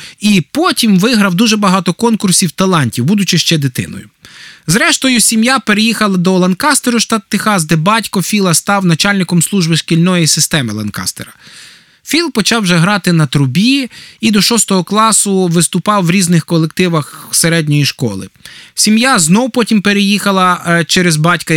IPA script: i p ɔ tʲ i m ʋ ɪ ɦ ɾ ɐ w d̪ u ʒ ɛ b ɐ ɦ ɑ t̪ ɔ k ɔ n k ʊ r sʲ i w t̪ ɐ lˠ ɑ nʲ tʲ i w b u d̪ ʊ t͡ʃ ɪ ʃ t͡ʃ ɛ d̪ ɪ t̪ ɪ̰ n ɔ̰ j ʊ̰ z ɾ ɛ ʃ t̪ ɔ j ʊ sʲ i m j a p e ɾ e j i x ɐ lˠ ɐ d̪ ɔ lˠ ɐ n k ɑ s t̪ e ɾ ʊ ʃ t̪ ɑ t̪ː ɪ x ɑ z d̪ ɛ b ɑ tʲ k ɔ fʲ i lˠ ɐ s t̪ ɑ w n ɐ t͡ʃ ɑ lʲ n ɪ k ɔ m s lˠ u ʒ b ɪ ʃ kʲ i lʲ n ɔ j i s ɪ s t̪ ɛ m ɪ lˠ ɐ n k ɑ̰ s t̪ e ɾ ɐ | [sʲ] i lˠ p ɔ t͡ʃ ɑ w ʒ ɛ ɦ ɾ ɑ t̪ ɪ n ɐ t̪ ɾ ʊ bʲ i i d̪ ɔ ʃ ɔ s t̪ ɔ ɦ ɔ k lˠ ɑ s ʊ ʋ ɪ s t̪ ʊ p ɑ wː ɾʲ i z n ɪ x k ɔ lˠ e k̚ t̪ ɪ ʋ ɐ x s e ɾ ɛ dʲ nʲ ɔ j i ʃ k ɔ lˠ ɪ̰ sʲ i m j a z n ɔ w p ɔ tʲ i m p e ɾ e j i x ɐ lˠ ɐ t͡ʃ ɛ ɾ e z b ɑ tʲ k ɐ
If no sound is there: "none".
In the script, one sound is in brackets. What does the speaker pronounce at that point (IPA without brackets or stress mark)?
fʲ